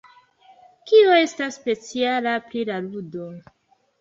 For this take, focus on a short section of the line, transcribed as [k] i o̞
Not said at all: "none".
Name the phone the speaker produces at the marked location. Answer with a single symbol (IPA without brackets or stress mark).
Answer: k